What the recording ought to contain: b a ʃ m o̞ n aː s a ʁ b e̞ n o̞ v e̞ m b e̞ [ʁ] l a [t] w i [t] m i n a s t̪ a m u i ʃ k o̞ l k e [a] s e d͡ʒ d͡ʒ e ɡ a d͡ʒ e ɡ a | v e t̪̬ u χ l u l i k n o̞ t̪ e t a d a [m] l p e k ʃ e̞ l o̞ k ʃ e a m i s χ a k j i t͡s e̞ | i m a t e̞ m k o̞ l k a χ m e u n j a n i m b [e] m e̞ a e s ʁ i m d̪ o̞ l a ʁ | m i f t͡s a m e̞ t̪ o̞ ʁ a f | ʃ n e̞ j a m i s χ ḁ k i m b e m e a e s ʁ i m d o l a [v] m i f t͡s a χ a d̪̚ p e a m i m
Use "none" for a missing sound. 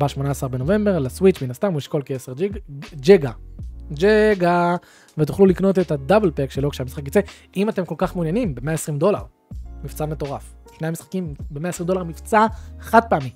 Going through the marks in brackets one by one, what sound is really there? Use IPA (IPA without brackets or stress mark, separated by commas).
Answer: ʁ, s, t͡ʃ, e, b, e, ʁ